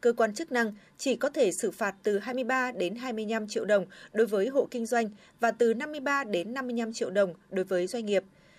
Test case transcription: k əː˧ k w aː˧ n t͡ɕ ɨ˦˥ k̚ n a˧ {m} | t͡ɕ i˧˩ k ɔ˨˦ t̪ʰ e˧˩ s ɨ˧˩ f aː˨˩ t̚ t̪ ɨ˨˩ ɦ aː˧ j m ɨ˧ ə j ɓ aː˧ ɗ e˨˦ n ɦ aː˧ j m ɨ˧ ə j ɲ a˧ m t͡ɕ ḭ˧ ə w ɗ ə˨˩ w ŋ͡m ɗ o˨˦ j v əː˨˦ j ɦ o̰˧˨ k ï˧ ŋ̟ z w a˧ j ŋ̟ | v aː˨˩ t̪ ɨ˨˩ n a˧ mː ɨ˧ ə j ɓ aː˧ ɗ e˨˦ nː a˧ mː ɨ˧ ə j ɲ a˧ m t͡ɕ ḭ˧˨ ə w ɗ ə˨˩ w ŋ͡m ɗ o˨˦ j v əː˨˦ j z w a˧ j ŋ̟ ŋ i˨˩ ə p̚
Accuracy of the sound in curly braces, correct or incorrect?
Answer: incorrect